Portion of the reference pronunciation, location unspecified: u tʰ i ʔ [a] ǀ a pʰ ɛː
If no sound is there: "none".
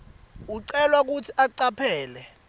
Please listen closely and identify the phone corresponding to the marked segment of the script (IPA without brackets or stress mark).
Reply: a